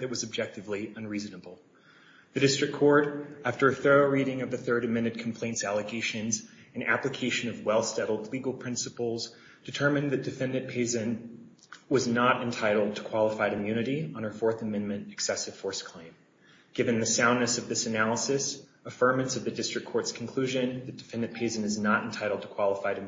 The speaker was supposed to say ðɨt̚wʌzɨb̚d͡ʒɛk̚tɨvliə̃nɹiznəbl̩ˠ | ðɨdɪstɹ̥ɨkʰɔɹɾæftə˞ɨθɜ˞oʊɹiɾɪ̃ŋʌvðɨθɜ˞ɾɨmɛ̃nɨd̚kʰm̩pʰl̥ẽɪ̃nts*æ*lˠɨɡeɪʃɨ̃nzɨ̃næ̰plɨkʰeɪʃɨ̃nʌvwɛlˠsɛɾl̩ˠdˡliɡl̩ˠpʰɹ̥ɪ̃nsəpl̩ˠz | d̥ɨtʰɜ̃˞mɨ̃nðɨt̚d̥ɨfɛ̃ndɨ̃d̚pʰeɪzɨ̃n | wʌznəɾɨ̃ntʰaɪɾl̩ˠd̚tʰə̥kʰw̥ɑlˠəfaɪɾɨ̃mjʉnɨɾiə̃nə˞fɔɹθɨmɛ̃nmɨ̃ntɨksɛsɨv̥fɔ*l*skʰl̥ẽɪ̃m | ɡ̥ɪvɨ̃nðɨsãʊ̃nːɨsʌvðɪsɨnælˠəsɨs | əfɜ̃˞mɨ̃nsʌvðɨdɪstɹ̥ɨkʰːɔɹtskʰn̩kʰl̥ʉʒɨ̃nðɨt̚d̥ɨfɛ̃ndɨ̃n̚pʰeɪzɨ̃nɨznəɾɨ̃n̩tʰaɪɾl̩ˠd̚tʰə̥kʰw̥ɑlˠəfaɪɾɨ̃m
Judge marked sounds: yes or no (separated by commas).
yes, no